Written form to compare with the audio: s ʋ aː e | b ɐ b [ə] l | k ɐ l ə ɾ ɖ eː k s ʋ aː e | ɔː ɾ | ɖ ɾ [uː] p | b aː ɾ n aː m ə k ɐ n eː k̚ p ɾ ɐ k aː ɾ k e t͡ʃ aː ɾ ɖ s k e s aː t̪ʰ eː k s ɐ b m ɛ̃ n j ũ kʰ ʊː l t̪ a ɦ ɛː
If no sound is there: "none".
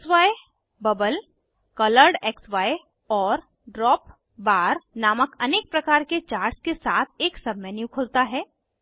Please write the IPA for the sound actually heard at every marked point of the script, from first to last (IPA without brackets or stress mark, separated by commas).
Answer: ə, ɔː